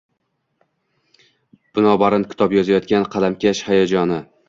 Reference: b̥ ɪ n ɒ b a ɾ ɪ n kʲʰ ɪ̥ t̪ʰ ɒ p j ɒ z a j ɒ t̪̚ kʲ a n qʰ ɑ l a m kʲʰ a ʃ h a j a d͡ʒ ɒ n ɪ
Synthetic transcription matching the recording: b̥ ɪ n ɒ b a ɾ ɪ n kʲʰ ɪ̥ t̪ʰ ɒ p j ɒ z a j ɒ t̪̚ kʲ a n qʰ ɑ l a m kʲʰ a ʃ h a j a d͡ʒ ɒ n ɪ